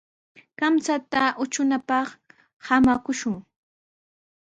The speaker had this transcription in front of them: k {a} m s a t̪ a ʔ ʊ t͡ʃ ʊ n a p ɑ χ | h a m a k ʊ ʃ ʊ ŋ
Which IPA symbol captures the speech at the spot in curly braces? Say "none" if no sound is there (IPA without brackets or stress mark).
a